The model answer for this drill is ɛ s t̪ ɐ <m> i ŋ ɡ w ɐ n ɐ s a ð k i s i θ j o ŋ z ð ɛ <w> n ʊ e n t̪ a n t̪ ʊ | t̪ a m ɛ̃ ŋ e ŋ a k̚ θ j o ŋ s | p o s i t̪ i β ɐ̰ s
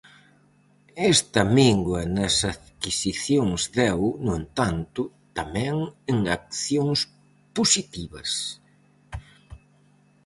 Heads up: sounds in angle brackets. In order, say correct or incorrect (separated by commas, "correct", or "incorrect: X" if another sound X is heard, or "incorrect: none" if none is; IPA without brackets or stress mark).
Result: correct, correct